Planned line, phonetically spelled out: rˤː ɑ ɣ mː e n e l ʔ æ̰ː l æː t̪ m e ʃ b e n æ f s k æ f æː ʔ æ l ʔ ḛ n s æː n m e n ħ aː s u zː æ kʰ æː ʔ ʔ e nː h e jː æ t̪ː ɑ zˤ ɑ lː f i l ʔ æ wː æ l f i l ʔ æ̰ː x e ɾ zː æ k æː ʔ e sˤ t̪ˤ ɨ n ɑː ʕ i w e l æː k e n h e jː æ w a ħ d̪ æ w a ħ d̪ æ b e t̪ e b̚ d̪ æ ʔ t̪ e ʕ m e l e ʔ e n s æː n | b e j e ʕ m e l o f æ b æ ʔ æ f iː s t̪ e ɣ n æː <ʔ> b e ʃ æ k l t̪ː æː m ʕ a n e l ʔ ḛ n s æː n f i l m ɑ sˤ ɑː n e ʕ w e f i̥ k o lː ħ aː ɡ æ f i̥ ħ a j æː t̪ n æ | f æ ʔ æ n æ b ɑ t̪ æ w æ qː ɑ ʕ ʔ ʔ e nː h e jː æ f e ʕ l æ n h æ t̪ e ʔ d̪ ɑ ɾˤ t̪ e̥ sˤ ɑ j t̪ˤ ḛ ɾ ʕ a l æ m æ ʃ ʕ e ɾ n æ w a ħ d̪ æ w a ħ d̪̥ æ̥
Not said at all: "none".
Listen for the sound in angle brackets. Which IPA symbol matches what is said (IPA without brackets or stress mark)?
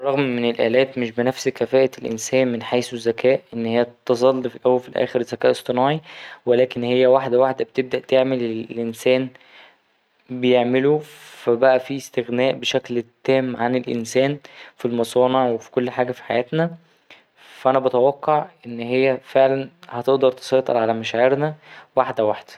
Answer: ʔ